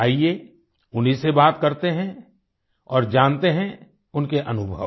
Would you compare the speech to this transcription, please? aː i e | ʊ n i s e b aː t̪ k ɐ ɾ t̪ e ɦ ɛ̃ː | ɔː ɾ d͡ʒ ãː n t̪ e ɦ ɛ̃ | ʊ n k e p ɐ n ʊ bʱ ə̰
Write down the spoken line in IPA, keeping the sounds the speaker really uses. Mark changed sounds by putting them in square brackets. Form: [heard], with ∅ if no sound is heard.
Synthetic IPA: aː i e | ʊ n i s e b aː t̪ k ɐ ɾ t̪ e ɦ [ɛ̃] | ɔː ɾ d͡ʒ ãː n t̪ e ɦ ɛ̃ | ʊ n k e [ʔ] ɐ n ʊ bʱ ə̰